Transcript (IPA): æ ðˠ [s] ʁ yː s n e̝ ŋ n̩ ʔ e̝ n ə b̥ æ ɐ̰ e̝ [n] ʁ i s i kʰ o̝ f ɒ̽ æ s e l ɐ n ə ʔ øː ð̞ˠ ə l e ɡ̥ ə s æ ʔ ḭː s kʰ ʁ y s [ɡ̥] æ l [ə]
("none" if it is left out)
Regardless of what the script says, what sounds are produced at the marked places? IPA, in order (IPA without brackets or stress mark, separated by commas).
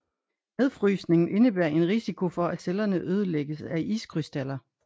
f, n, d̥, ɐ